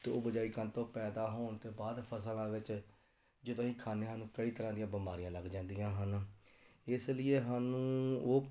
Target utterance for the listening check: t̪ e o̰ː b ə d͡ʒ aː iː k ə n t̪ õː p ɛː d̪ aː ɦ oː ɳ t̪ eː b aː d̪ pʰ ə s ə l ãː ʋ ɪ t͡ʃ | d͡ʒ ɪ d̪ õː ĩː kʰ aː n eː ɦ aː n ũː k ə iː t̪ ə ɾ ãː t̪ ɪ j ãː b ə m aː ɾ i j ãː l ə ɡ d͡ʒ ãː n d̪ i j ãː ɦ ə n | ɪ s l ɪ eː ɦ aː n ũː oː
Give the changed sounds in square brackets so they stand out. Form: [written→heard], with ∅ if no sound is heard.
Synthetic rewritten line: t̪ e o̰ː b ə d͡ʒ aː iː k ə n t̪ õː p ɛː d̪ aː ɦ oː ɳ t̪ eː b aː d̪ pʰ ə s ə l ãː ʋ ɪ t͡ʃ | d͡ʒ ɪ d̪ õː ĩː kʰ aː n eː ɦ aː n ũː k ə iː t̪ ə ɾ ãː [t̪→d̪] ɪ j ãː b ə m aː ɾ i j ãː l ə ɡ d͡ʒ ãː n d̪ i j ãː ɦ ə n | ɪ s l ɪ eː ɦ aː n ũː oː

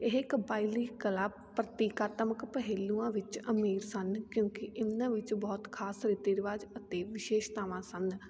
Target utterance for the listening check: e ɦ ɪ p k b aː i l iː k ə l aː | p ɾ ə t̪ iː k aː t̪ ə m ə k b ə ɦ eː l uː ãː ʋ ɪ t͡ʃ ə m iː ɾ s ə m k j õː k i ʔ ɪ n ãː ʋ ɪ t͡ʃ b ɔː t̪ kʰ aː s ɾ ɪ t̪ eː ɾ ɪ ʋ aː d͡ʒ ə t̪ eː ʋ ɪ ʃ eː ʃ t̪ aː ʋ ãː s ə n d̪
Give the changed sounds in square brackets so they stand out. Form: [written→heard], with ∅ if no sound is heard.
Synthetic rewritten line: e ɦ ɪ [p→∅] k b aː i l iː k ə l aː | p ɾ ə t̪ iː k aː t̪ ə m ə k [b→p] ə ɦ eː l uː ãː ʋ ɪ t͡ʃ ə m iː ɾ s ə [m→n] k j õː k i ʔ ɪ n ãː ʋ ɪ t͡ʃ b ɔː t̪ kʰ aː s ɾ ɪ t̪ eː ɾ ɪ ʋ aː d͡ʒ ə t̪ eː ʋ ɪ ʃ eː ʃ t̪ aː ʋ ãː s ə n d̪

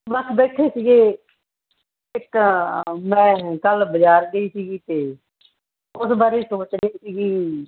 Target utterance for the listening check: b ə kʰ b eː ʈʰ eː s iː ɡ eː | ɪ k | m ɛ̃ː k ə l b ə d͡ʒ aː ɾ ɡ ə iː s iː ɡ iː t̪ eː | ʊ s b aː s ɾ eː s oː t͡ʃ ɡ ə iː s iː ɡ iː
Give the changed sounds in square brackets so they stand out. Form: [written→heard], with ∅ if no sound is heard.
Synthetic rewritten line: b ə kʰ b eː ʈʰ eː s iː ɡ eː | ɪ k | m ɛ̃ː k ə l b ə d͡ʒ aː ɾ ɡ ə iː s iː ɡ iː t̪ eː | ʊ s b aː [s→∅] ɾ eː s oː t͡ʃ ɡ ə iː s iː ɡ iː

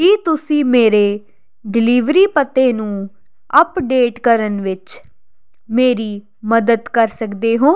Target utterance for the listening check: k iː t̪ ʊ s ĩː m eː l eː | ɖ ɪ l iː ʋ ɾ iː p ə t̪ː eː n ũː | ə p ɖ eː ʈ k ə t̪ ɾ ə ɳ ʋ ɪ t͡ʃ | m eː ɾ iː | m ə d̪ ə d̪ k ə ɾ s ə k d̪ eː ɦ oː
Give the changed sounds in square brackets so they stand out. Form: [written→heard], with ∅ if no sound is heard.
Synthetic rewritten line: k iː t̪ ʊ s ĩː m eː [l→ɾ] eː | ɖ ɪ l iː ʋ ɾ iː p ə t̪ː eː n ũː | ə p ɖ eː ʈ k ə [t̪→∅] ɾ ə [ɳ→n] ʋ ɪ t͡ʃ | m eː ɾ iː | m ə d̪ ə d̪ k ə ɾ s ə k d̪ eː ɦ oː

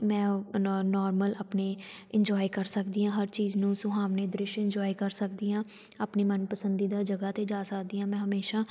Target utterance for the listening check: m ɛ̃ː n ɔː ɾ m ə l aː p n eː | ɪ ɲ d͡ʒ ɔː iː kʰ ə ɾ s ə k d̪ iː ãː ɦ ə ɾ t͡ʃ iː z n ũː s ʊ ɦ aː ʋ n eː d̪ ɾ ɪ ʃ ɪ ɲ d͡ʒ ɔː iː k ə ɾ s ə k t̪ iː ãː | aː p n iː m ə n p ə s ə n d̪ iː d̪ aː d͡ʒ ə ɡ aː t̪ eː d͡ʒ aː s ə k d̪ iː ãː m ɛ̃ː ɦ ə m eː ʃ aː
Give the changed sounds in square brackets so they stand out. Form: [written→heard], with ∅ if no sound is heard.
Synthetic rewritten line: m ɛ̃ː n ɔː ɾ m ə l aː p n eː | ɪ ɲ d͡ʒ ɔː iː [kʰ→k] ə ɾ s ə k d̪ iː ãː ɦ ə ɾ t͡ʃ iː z n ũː s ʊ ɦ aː ʋ n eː d̪ ɾ ɪ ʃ ɪ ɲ d͡ʒ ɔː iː k ə ɾ s ə k [t̪→d̪] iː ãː | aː p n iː m ə n p ə s ə n d̪ iː d̪ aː d͡ʒ ə ɡ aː t̪ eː d͡ʒ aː s ə k d̪ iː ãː m ɛ̃ː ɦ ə m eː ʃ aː

